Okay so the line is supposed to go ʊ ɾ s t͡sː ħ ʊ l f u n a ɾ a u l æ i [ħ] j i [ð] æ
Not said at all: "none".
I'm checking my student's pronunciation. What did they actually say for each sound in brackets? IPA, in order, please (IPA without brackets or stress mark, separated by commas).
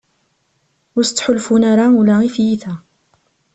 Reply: f, θ